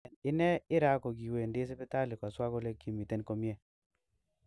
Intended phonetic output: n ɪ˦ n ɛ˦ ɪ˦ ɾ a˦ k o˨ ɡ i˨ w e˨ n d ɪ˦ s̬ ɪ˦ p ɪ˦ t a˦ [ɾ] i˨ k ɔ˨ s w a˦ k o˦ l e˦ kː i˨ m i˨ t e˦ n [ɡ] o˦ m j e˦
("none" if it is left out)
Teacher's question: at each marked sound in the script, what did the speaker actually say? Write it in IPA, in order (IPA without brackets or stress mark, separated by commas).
l, k